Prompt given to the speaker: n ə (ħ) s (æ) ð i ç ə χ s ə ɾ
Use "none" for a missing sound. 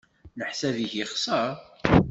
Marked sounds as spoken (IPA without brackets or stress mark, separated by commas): ħ, æ